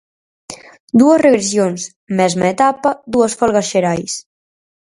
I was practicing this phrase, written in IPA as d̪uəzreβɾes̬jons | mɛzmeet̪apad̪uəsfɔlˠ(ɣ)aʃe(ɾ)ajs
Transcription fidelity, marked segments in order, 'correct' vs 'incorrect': correct, correct

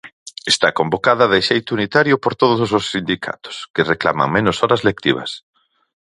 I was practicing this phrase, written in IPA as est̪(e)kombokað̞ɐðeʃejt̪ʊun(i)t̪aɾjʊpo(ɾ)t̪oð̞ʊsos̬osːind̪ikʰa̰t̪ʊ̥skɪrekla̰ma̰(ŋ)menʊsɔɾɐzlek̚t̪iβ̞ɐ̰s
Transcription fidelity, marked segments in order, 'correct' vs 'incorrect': incorrect: a, correct, correct, correct

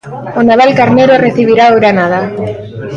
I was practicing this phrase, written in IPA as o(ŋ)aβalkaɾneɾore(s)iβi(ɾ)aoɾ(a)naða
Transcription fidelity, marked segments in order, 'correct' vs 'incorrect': incorrect: n, incorrect: θ, correct, correct

